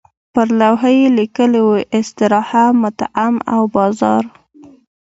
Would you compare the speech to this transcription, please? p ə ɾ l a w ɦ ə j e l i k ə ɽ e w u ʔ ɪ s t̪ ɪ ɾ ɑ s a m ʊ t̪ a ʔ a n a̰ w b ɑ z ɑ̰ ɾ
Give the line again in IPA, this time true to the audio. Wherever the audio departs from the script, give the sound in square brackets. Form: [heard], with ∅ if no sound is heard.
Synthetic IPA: p ə ɾ l a w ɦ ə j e l i k ə [l] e w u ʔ ɪ s t̪ ɪ ɾ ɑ [h] a m ʊ t̪ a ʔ a [m] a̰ w b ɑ z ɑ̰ ɾ